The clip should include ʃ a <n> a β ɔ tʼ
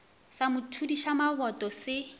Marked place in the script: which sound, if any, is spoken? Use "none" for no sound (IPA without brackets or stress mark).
m